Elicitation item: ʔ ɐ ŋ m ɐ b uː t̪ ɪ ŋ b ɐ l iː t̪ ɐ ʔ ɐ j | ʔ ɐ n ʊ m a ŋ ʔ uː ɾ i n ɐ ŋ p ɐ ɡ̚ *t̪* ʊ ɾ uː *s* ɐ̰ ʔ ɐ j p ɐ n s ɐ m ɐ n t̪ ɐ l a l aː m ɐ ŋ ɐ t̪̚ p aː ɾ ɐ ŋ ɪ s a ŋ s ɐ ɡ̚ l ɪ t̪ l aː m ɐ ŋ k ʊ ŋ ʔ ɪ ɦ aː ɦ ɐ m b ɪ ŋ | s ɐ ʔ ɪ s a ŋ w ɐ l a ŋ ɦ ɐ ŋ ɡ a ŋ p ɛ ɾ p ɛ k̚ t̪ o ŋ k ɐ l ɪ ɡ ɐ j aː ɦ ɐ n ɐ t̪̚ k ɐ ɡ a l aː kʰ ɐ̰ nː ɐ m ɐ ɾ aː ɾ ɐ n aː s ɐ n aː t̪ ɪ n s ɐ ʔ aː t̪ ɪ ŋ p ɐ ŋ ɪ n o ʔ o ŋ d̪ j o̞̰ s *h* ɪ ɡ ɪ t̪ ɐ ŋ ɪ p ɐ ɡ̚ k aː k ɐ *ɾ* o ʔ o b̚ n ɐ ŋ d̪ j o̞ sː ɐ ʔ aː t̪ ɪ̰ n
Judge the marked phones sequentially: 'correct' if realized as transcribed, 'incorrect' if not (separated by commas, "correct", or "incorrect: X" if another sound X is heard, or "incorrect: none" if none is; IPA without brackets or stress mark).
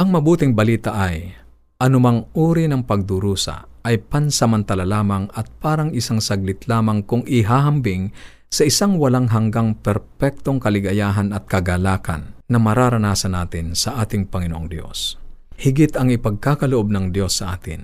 incorrect: d̪, correct, correct, incorrect: l